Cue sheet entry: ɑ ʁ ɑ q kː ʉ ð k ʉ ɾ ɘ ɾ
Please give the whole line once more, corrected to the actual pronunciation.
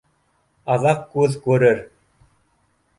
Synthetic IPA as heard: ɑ ð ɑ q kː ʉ ð k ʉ ɾ ɘ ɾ